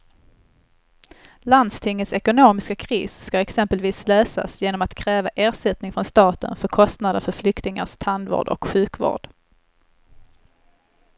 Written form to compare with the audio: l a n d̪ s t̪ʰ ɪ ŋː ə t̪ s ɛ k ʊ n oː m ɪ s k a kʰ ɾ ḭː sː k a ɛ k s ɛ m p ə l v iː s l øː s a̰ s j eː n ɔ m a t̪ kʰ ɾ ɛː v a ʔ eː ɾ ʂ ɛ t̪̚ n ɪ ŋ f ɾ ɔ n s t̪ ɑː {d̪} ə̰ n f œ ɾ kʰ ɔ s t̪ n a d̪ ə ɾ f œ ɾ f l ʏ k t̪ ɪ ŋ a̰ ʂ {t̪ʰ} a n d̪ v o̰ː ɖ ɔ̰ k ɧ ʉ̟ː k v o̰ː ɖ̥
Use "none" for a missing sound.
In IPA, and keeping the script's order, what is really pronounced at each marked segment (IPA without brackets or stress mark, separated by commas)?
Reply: t̪, t̪ʰ